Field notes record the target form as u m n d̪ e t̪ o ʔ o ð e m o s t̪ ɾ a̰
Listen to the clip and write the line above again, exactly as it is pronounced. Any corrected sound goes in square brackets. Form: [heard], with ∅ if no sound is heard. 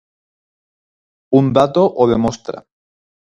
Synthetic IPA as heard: u [∅] n d̪ [a] t̪ o ʔ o ð e m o s t̪ ɾ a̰